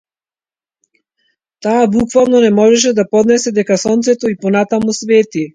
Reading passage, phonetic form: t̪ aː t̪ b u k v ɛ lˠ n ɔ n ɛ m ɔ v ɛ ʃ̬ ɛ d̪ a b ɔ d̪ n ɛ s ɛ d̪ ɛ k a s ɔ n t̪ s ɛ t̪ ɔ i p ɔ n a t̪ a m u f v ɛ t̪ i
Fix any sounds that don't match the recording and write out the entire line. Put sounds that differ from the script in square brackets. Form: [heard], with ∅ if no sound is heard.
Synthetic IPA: t̪ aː [∅] b u k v [a] lˠ n ɔ n ɛ m ɔ [ʒ] ɛ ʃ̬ ɛ d̪ a [p] ɔ d̪ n ɛ s ɛ d̪ ɛ k a s ɔ n t̪ s ɛ t̪ ɔ i p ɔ n a t̪ a m u [s] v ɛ t̪ i